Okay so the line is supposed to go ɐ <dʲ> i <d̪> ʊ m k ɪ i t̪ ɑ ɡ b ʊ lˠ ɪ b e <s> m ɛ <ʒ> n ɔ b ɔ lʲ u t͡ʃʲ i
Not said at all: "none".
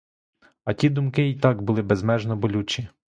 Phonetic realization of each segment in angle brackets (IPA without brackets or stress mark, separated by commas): tʲ, d̪, z, ʒ